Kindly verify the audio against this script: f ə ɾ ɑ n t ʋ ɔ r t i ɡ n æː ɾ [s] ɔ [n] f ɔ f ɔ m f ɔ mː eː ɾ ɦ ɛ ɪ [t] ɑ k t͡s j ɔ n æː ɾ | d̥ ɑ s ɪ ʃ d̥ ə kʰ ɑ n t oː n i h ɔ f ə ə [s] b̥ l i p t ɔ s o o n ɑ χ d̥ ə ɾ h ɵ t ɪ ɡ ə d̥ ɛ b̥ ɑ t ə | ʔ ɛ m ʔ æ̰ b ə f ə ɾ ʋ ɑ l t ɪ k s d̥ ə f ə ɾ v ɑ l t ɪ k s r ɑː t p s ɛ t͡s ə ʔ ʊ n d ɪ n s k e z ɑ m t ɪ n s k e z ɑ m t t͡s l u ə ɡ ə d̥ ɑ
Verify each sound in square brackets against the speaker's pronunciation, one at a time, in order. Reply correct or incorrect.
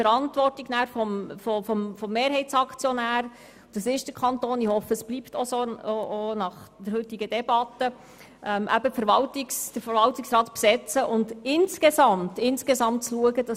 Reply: incorrect, incorrect, incorrect, correct

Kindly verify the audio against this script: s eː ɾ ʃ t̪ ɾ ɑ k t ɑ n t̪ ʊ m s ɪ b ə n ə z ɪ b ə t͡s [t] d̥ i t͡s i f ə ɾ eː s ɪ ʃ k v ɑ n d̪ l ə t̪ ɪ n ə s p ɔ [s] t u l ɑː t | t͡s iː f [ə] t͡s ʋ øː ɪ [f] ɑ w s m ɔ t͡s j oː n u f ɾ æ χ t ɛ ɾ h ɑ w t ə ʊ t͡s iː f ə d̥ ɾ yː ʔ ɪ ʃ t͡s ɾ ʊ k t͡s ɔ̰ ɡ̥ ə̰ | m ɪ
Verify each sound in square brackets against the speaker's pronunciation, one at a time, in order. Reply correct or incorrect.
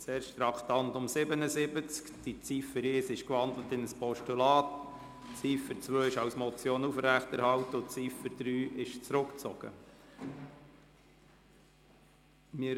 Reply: incorrect, incorrect, correct, incorrect

